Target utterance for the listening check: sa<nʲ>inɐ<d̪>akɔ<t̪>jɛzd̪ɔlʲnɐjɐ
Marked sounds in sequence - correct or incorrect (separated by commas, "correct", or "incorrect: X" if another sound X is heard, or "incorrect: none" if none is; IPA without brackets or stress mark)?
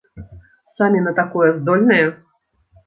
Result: incorrect: mʲ, incorrect: t̪, incorrect: none